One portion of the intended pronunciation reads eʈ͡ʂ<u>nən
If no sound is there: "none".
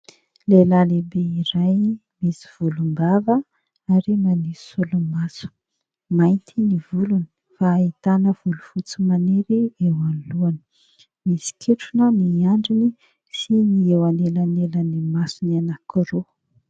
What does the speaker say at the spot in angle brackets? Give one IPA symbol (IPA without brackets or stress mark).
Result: u